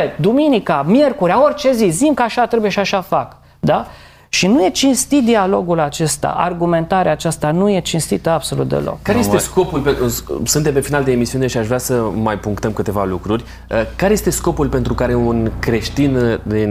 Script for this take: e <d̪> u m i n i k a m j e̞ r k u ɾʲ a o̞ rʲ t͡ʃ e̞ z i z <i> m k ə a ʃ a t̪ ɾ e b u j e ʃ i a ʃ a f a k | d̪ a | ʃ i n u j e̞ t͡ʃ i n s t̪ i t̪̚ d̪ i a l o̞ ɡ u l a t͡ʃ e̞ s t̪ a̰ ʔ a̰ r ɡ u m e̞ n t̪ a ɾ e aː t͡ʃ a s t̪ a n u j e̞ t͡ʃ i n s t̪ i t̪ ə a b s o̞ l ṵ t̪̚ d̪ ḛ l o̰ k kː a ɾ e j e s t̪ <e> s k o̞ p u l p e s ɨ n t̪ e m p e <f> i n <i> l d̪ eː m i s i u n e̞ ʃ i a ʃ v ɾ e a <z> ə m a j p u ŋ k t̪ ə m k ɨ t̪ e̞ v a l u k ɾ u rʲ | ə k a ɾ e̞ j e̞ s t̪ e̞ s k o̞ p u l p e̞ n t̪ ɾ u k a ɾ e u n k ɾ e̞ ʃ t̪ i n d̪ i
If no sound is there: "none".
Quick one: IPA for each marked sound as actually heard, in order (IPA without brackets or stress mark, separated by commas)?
d̪, i, e, f, a, s